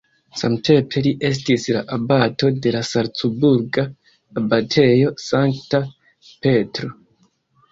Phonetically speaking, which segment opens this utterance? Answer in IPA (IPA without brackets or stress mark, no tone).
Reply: s